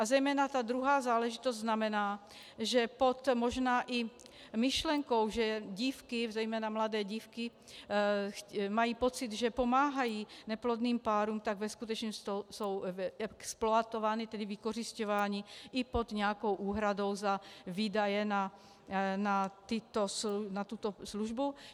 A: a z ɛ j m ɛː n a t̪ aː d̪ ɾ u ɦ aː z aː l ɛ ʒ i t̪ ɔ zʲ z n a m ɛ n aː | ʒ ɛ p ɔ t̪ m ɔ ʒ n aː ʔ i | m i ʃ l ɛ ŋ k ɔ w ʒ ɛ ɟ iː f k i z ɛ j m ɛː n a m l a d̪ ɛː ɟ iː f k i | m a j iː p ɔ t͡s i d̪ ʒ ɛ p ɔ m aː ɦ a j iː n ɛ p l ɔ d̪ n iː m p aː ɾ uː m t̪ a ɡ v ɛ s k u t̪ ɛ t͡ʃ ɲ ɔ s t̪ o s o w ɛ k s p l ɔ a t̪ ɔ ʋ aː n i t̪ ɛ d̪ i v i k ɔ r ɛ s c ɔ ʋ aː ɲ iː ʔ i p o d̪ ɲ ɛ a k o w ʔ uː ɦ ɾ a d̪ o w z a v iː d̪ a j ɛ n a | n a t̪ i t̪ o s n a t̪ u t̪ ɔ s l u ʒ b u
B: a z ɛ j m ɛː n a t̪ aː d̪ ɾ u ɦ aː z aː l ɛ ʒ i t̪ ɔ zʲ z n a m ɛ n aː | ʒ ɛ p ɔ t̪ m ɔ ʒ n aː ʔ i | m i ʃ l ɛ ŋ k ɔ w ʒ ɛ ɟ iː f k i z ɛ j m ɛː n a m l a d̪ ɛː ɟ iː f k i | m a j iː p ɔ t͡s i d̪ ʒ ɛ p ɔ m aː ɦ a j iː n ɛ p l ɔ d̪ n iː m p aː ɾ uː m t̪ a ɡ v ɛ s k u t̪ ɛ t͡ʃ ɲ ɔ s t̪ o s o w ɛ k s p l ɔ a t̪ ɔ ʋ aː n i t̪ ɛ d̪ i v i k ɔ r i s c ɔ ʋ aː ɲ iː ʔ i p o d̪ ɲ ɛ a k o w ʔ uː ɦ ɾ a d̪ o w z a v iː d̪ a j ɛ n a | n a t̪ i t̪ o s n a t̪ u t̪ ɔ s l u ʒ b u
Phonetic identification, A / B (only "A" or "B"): B